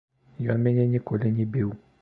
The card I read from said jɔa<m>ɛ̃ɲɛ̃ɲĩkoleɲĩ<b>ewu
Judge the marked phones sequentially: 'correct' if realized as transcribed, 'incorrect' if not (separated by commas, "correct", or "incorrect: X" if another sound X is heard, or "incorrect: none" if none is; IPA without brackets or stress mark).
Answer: correct, correct